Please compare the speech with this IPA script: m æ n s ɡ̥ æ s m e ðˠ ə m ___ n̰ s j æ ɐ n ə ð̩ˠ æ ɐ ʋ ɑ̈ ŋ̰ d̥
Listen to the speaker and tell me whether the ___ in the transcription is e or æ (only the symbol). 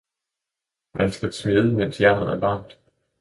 e